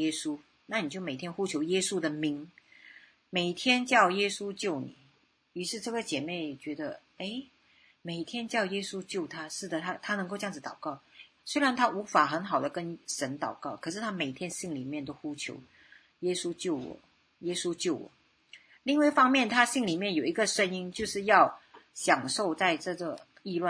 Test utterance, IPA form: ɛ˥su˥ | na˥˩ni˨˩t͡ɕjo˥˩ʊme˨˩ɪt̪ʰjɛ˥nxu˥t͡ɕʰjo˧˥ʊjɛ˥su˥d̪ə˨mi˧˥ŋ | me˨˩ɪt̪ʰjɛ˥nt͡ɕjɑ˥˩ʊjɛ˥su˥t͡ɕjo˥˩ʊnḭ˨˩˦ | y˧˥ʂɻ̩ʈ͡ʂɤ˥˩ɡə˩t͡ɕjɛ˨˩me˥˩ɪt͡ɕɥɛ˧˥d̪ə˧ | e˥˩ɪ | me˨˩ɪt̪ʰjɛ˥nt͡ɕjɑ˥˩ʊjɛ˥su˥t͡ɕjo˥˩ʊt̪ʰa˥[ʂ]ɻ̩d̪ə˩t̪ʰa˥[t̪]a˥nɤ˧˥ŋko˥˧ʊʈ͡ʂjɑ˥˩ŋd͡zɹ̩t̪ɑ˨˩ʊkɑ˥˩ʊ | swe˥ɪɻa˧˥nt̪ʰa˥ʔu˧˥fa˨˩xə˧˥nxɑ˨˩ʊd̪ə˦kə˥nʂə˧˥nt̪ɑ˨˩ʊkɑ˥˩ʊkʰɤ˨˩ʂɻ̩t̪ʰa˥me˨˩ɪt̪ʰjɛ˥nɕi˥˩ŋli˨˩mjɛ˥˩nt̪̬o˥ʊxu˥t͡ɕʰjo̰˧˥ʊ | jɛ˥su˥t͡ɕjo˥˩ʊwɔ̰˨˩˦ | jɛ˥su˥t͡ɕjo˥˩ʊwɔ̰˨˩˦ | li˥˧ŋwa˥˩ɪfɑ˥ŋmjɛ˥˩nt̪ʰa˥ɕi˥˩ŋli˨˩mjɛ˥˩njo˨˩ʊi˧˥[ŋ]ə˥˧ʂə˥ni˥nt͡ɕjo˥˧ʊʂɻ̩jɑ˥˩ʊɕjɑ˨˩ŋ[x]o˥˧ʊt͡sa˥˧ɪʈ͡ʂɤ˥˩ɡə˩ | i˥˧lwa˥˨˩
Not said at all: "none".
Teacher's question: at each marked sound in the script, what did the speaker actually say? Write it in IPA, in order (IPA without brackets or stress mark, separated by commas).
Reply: ʂ, t̪ʰ, ɡ, ʂ